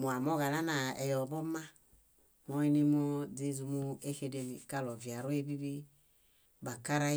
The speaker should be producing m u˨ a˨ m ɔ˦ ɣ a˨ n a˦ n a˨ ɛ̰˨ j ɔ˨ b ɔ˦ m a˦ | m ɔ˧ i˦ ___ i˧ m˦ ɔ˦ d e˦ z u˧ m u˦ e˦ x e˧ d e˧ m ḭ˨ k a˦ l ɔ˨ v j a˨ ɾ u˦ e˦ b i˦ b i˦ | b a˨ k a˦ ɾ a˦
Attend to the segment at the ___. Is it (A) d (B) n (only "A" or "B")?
B